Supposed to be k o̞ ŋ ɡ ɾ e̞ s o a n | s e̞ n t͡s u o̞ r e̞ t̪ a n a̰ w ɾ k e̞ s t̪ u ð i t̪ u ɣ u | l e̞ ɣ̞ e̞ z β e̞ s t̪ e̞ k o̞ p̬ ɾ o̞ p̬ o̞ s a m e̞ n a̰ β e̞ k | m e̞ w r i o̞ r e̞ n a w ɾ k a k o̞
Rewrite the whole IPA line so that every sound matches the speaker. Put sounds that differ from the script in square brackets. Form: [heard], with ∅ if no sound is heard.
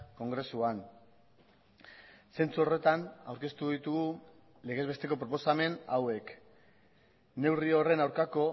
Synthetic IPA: k o̞ ŋ ɡ ɾ e̞ s [u] a n | s e̞ n t͡s u o̞ r e̞ t̪ a n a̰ w ɾ k e̞ s t̪ u ð i t̪ u ɣ u | l e̞ ɣ̞ e̞ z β e̞ s t̪ e̞ k o̞ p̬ ɾ o̞ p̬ o̞ s a m e̞ n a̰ [w] e̞ k | [n] e̞ w r i o̞ r e̞ n a w ɾ k a k o̞